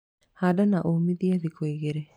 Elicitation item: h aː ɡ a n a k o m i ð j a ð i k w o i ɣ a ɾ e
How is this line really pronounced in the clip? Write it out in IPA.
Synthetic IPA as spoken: h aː d a n a ʔ o m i ð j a ð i k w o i ɣ e ɾ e